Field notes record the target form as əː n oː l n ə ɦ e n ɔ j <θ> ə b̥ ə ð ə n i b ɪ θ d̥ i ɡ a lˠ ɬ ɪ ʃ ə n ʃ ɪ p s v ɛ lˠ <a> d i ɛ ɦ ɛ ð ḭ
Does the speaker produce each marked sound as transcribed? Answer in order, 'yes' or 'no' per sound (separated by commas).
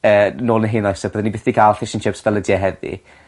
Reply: no, no